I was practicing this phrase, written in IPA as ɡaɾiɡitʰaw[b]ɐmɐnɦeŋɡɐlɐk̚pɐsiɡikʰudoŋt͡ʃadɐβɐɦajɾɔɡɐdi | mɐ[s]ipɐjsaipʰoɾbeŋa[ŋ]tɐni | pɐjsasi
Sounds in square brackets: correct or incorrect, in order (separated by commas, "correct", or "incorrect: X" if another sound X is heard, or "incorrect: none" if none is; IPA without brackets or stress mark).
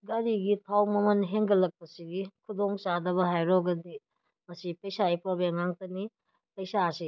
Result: incorrect: m, correct, correct